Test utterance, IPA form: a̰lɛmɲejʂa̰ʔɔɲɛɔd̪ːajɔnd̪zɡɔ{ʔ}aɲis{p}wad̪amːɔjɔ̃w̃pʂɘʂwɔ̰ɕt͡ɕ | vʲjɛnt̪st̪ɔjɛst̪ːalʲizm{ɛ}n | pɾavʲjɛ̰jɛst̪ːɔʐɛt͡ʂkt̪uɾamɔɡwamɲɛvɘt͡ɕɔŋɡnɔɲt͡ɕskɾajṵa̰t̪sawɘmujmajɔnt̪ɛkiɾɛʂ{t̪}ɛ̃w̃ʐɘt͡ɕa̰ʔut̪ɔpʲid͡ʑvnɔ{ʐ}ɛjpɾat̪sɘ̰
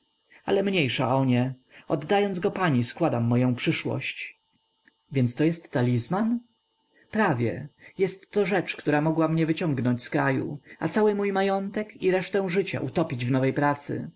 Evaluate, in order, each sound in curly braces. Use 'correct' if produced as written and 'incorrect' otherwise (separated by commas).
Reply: incorrect, incorrect, incorrect, correct, incorrect